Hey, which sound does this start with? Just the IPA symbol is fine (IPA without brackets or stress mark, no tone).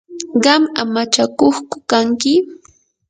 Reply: ɢ